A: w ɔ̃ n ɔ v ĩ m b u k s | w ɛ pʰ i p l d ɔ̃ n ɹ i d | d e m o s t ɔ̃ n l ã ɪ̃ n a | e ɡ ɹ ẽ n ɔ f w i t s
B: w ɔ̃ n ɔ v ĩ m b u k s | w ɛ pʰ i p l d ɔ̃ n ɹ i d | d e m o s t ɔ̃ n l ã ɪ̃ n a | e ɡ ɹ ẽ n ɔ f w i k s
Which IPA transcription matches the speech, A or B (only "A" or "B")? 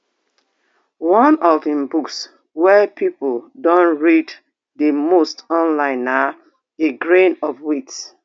A